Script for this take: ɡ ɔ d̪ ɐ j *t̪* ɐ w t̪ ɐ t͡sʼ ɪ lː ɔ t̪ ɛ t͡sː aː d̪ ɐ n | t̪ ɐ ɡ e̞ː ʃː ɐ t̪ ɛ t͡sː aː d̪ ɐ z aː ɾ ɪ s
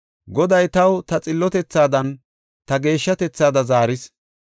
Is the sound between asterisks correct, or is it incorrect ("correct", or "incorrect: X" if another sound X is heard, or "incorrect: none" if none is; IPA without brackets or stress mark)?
correct